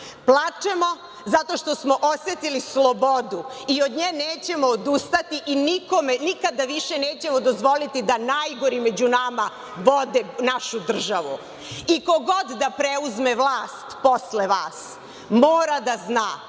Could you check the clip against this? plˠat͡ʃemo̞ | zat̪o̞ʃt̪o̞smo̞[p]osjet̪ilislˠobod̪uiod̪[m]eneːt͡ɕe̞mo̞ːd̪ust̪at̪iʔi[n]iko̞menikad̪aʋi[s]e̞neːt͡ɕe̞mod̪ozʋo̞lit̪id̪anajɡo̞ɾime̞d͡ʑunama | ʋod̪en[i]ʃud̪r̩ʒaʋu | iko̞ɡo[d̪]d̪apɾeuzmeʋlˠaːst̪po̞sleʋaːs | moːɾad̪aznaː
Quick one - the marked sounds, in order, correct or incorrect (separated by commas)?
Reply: incorrect, incorrect, correct, incorrect, incorrect, correct